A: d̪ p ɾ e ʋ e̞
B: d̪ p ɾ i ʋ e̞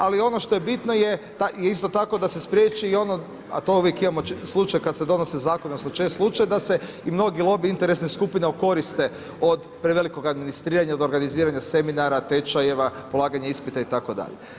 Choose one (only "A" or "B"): A